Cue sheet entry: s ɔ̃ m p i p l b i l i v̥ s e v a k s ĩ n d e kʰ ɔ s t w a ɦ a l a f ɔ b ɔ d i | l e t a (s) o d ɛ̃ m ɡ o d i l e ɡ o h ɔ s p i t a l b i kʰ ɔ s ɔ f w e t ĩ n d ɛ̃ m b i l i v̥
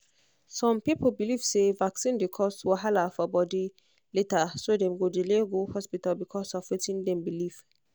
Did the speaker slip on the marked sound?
no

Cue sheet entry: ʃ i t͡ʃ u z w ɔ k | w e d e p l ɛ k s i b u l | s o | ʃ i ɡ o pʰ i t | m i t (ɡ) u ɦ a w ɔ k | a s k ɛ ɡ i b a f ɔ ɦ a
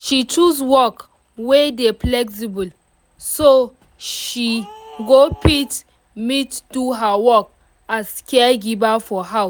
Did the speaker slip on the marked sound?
yes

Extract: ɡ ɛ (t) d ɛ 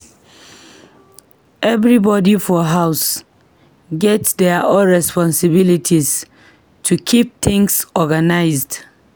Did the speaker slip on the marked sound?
no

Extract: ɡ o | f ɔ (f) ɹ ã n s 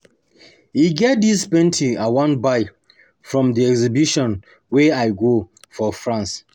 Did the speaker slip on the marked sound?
no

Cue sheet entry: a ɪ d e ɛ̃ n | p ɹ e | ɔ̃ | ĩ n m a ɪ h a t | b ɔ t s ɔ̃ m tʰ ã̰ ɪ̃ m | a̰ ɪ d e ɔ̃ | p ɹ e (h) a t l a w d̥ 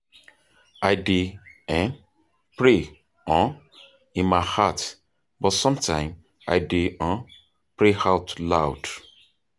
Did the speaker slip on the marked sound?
no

